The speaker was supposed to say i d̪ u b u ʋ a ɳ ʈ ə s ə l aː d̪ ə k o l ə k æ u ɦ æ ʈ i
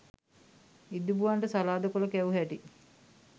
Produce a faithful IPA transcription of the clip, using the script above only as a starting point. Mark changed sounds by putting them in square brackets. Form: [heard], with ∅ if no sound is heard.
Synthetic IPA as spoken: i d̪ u b u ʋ a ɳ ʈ ə s [a] l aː d̪ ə k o l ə k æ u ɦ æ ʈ i